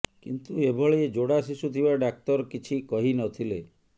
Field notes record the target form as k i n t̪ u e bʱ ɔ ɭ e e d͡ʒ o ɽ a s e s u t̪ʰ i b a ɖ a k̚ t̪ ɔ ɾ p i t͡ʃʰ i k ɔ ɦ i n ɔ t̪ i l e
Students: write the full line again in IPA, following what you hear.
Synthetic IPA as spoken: k i n t̪ u e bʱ ɔ ɭ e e d͡ʒ o ɽ a s i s u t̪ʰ i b a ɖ a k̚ t̪ ɔ ɾ k i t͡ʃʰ i k ɔ ɦ i n ɔ t̪ʰ i l e